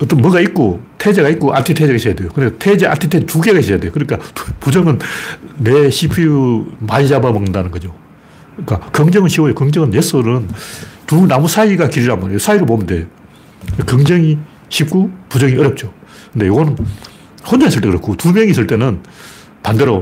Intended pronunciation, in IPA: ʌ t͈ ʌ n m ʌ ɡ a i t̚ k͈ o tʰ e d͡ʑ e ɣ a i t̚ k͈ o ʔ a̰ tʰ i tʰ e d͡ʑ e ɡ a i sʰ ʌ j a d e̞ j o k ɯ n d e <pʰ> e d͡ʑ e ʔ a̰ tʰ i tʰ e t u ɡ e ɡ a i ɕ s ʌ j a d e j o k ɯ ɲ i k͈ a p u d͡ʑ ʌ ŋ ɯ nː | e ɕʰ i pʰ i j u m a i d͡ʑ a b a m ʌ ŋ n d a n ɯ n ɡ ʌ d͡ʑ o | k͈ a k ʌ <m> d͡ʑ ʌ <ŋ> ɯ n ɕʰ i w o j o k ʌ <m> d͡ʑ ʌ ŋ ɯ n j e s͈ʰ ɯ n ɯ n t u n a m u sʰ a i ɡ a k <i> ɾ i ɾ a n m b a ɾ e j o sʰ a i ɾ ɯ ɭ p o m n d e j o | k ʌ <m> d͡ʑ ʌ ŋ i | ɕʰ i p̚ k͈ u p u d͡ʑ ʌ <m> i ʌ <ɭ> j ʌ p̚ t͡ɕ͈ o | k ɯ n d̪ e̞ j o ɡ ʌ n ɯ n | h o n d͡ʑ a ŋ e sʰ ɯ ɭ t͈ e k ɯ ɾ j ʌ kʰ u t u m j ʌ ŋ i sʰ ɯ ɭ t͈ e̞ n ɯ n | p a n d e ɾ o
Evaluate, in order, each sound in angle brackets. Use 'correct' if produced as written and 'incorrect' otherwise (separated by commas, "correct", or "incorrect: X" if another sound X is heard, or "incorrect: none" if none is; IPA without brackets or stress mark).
incorrect: tʰ, incorrect: ŋ, correct, incorrect: ŋ, correct, incorrect: ŋ, incorrect: ŋ, incorrect: ɾ